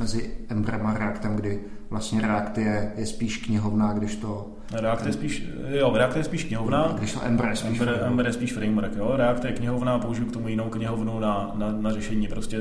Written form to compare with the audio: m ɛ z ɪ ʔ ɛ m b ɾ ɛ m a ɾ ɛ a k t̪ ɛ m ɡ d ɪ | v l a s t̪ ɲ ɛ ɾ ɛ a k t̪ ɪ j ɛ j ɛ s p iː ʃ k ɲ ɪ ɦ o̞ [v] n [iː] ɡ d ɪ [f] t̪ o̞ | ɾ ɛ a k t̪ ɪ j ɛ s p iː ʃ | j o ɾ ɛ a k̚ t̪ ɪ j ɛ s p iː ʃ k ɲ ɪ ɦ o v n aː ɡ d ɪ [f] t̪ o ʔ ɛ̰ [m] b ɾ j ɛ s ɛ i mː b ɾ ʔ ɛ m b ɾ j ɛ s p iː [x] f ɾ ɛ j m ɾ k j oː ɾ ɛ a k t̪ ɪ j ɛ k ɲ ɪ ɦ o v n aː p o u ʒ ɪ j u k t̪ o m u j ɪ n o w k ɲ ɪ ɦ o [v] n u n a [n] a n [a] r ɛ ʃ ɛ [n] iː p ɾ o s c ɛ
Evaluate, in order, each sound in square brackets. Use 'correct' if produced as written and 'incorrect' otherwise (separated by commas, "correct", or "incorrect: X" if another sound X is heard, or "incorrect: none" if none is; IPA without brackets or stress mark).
correct, incorrect: aː, incorrect: ʃ, incorrect: ʃ, correct, incorrect: ʃ, correct, correct, correct, incorrect: ɲ